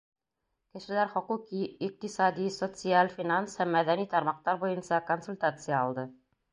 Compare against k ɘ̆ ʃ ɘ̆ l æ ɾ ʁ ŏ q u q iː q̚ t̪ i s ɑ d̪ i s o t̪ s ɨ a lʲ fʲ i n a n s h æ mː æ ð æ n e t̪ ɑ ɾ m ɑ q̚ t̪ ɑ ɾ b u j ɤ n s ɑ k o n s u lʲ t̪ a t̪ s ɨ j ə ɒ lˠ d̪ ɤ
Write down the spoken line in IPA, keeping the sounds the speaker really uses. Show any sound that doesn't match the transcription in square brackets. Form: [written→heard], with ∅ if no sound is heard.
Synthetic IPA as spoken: k ɘ̆ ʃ ɘ̆ l æ ɾ [ʁ→χ] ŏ q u q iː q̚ t̪ i s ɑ d̪ i s o t̪ s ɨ a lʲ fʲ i n a n s h æ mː æ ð æ n [e→i] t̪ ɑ ɾ m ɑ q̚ t̪ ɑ ɾ b u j ɤ n s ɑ k o n s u lʲ t̪ a t̪ s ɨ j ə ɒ lˠ d̪ ɤ

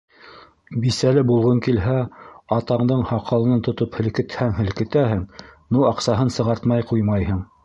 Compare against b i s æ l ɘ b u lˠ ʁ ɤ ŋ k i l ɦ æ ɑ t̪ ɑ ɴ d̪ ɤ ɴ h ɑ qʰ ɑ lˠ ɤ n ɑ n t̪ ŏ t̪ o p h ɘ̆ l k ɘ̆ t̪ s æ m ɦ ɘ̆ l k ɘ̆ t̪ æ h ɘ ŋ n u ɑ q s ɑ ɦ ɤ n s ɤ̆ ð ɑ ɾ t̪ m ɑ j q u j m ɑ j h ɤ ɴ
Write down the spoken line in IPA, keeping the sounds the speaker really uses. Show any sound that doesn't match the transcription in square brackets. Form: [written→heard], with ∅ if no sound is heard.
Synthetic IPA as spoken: b i s æ l ɘ b u lˠ ʁ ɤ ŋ k i l ɦ æ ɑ t̪ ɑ ɴ d̪ ɤ ɴ h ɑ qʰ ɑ lˠ ɤ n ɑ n t̪ ŏ t̪ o p h ɘ̆ l k ɘ̆ t̪ [s→h] æ [m→ŋ] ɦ ɘ̆ l k ɘ̆ t̪ æ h ɘ ŋ n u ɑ q s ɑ ɦ ɤ n s ɤ̆ [ð→ʁ] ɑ ɾ t̪ m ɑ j q u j m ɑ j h ɤ ɴ

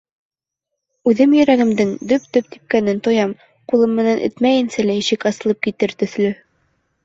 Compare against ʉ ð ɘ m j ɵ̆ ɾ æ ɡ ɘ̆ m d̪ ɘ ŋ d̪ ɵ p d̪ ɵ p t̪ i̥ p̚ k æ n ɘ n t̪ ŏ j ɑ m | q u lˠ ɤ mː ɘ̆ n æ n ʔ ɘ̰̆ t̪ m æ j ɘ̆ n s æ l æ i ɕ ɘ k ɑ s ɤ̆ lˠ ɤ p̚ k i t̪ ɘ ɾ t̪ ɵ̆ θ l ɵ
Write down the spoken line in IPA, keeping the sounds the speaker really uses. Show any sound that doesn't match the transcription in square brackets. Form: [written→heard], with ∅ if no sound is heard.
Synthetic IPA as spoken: ʉ ð ɘ m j ɵ̆ ɾ æ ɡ ɘ̆ m d̪ ɘ ŋ d̪ ɵ p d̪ ɵ p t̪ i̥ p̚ k æ n ɘ n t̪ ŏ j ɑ m | q u lˠ ɤ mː ɘ̆ n æ n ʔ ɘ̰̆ t̪ m æ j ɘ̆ n s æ l æ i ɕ ɘ k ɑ s ɤ̆ lˠ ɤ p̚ k i t̪ ɘ ɾ t̪ ɵ̆ θ l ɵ

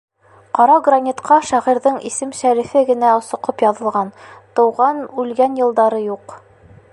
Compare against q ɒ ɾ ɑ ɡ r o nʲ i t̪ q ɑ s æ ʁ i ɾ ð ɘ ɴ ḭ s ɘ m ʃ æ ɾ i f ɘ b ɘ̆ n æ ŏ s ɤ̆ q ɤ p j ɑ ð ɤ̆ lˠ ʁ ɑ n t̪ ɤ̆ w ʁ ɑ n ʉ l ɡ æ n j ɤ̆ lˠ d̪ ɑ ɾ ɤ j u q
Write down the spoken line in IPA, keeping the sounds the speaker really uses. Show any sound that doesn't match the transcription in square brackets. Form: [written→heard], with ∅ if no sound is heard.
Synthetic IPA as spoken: q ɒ ɾ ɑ ɡ r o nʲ i t̪ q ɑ [s→ʃ] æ ʁ i ɾ ð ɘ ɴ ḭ s ɘ m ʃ æ ɾ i f ɘ [b→ɡ] ɘ̆ n æ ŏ s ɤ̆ q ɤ p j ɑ ð ɤ̆ lˠ ʁ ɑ n t̪ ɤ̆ w ʁ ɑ n ʉ l ɡ æ n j ɤ̆ lˠ d̪ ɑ ɾ ɤ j u q

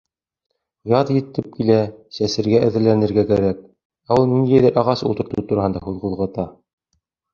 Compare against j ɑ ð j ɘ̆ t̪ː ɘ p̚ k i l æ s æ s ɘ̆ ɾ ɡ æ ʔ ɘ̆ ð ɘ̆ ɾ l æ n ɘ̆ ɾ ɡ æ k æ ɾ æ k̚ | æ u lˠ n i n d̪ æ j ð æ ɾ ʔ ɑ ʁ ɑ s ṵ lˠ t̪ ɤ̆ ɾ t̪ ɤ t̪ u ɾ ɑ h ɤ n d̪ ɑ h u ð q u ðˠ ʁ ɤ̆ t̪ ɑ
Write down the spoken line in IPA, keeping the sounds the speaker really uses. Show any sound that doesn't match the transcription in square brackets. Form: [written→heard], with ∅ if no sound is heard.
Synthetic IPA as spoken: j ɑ ð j ɘ̆ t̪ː ɘ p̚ k i l æ s æ s ɘ̆ ɾ ɡ æ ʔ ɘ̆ ð ɘ̆ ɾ l æ n ɘ̆ ɾ ɡ æ k æ ɾ æ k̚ | æ u lˠ n i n d̪ æ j ð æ ɾ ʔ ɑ ʁ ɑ s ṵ lˠ t̪ ɤ̆ ɾ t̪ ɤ t̪ u ɾ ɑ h ɤ n d̪ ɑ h u ð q u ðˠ ʁ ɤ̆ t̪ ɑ

